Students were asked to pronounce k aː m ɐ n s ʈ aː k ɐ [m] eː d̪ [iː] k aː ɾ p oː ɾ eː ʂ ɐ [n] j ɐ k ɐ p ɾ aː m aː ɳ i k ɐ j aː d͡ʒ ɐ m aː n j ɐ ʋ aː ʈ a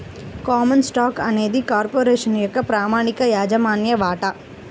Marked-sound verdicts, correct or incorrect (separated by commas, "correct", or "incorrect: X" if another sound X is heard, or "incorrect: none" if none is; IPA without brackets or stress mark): incorrect: n, incorrect: i, correct